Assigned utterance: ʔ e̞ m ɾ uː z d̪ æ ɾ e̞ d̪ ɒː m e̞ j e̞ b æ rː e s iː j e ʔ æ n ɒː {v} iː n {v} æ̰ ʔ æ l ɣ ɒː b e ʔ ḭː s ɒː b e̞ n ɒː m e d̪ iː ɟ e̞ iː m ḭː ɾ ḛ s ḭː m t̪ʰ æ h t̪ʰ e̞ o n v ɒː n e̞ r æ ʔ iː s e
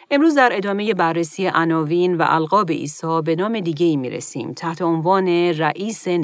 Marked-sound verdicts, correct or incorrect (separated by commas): correct, correct